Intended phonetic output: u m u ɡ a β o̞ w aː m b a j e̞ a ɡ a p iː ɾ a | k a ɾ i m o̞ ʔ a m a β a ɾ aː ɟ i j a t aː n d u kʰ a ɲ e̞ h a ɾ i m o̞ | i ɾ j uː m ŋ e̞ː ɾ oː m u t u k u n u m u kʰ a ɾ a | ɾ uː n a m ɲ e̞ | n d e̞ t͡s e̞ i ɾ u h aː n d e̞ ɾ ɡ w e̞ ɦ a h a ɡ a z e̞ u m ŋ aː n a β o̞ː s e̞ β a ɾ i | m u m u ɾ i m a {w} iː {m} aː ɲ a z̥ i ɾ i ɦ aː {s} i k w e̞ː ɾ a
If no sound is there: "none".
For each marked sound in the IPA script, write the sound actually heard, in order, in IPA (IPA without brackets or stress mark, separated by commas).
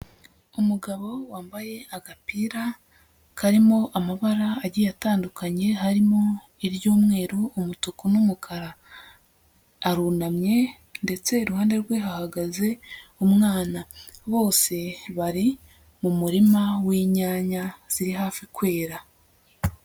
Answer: w, ɲ, f